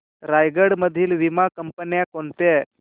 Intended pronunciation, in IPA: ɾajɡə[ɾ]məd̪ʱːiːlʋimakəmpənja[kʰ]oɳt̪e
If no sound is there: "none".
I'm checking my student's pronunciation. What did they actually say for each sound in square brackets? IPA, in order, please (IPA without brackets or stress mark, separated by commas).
ɽ, k